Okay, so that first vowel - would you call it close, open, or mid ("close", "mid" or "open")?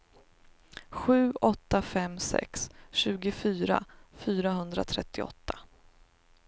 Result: close